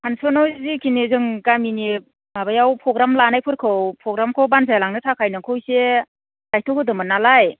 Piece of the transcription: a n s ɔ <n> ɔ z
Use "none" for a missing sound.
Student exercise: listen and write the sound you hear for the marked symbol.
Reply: n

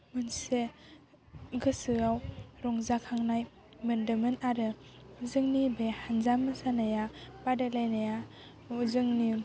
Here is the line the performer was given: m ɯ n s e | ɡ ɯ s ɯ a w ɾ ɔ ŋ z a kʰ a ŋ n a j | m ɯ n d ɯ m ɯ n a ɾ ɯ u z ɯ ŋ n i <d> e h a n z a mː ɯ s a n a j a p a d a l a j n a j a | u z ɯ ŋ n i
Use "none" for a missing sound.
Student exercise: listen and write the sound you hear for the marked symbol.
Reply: b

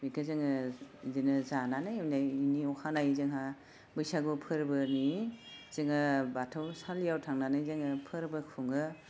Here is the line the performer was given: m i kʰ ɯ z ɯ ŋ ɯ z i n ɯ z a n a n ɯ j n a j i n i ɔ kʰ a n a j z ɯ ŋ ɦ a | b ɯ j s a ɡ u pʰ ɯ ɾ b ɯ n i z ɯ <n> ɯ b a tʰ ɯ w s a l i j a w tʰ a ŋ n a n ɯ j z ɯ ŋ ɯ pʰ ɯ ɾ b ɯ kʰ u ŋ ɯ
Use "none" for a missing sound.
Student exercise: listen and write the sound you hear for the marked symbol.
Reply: ŋ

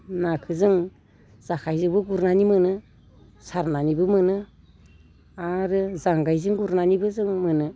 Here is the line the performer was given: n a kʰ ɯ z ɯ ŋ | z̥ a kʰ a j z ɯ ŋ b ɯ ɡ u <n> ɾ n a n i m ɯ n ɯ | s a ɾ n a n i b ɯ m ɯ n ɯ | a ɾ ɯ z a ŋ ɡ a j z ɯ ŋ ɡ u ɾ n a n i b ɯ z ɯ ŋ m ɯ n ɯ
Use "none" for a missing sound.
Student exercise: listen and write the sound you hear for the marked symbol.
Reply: none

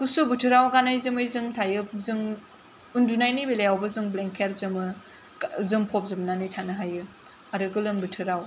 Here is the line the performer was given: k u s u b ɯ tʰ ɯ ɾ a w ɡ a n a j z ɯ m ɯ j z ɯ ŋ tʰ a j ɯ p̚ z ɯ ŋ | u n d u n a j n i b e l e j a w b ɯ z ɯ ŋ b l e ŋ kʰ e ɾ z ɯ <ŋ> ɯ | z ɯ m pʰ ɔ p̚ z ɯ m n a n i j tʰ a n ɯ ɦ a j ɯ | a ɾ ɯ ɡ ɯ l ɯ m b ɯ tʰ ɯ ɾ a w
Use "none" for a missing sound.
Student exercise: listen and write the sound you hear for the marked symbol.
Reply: m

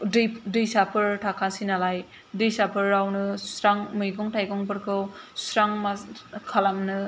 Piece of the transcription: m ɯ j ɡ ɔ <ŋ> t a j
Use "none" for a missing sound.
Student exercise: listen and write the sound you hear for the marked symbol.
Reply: ŋ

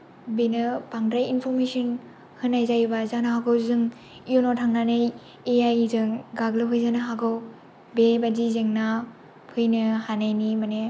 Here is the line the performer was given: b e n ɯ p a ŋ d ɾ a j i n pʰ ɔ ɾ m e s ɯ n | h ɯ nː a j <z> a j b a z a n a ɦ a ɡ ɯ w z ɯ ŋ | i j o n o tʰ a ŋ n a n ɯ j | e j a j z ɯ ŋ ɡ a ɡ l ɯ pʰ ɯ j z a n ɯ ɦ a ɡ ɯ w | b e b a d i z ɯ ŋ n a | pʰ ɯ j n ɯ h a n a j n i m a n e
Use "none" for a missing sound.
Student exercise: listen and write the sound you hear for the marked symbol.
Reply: z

